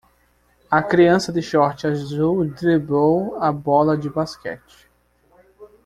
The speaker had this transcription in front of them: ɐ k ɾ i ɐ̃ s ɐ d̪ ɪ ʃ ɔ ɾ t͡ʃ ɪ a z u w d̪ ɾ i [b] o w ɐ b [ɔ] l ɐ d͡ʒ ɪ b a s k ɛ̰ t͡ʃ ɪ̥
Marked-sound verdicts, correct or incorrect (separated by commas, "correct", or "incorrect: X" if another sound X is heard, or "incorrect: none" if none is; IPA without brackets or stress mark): correct, correct